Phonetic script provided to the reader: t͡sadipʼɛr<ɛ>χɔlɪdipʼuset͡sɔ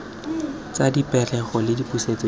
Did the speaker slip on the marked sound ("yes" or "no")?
no